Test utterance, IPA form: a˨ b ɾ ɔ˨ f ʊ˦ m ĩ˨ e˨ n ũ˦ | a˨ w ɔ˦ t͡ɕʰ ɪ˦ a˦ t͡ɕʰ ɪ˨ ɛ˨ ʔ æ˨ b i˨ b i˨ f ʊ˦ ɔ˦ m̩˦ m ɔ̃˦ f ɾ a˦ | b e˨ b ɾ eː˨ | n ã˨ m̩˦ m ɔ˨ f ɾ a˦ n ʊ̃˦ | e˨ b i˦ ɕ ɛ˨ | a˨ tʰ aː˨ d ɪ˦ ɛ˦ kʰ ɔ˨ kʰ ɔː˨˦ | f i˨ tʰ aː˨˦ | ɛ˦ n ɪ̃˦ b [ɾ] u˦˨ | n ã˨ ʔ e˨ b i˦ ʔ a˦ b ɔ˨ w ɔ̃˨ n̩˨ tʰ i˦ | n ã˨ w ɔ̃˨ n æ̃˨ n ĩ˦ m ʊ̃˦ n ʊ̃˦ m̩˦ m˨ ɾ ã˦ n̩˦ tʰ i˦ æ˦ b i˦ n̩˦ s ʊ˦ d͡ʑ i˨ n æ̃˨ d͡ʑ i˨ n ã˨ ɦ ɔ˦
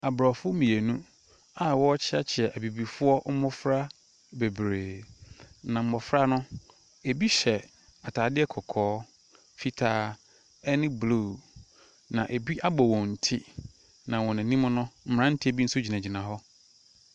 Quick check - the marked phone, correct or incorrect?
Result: incorrect